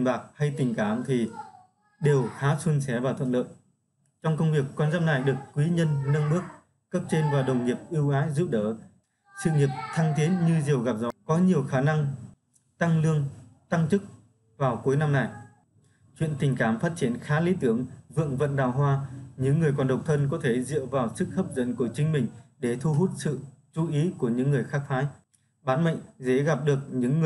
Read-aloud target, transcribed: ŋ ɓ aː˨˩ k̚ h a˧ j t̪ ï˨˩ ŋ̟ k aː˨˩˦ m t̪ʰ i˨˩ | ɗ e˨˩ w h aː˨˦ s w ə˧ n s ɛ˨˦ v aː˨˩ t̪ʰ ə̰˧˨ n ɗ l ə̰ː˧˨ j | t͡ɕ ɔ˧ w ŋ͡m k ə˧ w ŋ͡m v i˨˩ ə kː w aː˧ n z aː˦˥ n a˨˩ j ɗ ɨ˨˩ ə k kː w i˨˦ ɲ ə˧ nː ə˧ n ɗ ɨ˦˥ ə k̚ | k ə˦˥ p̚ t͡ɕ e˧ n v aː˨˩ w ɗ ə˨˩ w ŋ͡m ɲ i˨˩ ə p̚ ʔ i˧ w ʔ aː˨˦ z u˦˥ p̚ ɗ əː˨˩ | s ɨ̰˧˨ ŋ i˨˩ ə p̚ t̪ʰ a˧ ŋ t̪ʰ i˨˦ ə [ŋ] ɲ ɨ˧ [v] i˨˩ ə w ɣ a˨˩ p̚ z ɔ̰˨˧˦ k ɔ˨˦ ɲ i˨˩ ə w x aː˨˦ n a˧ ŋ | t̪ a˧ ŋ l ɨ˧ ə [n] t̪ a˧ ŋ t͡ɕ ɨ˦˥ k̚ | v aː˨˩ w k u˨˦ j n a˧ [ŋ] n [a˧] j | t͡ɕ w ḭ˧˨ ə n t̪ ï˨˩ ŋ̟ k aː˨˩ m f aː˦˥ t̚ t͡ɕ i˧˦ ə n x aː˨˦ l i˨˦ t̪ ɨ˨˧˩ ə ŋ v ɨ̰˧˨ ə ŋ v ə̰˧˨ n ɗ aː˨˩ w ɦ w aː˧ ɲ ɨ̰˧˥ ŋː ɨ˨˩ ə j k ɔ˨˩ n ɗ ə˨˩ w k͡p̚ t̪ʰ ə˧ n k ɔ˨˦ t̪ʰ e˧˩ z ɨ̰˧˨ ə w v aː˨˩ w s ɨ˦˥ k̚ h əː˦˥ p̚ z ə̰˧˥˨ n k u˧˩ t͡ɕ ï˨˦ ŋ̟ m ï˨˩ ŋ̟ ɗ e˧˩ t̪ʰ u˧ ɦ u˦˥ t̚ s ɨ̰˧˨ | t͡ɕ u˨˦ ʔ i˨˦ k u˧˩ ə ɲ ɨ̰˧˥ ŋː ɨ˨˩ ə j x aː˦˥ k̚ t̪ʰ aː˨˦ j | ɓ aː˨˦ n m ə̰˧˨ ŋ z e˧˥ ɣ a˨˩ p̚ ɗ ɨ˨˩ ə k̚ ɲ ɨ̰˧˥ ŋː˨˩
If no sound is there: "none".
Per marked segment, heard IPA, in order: n, z, ŋ, m, a˨˩

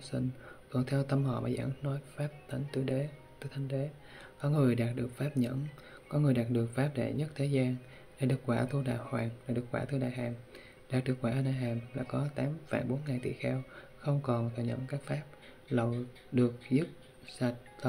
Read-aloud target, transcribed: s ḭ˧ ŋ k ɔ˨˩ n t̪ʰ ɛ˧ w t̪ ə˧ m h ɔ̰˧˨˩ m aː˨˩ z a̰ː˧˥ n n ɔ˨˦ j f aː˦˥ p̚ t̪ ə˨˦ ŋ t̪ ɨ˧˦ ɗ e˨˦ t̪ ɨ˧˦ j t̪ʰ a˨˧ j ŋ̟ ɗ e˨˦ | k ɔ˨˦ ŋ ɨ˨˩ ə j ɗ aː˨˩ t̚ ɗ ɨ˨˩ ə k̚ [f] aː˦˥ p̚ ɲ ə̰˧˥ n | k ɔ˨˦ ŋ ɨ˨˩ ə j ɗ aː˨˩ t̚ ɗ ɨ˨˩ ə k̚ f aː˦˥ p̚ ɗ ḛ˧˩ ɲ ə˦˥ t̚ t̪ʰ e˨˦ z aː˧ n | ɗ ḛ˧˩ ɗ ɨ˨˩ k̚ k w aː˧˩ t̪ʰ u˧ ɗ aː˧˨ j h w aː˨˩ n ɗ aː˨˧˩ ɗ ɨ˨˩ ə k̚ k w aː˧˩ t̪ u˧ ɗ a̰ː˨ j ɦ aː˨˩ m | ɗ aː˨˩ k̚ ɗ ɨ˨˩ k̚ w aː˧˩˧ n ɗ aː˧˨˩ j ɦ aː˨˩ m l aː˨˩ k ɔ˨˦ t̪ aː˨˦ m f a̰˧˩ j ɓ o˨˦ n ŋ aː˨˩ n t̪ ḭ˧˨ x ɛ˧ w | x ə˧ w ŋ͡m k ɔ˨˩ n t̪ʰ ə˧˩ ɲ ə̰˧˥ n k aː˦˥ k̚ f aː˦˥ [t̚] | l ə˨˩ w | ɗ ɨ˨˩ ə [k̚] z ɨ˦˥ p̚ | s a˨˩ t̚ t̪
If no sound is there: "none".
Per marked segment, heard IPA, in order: f, p̚, k̚

